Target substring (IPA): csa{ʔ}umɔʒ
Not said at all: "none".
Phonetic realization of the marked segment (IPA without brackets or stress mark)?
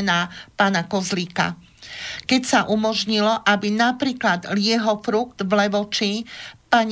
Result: ʔ